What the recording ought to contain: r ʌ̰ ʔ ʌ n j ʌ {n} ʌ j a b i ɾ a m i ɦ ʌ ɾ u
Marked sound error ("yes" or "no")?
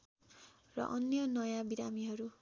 no